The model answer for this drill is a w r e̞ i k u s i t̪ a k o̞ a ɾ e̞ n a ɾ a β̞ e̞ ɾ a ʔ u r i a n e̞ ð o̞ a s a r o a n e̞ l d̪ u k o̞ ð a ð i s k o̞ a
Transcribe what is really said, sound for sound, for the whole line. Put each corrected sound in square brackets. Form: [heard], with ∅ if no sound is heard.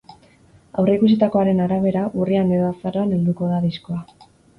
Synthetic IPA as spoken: a w r e̞ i k u s i t̪ a k o̞ a ɾ e̞ n a ɾ a β̞ e̞ ɾ a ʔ u r i a n e̞ ð o̞ a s a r o a n e̞ l d̪ u k o̞ ð a ð i s k o̞ a